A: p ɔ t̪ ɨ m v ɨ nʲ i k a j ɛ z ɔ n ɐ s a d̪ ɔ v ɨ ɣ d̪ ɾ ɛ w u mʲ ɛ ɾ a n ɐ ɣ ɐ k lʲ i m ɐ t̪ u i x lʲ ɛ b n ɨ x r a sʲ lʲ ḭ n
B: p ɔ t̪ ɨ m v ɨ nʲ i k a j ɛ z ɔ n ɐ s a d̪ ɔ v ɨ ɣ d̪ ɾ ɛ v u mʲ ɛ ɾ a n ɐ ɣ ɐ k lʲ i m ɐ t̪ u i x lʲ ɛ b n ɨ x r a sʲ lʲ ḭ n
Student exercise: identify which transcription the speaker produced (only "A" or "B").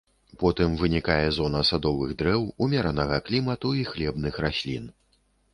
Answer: A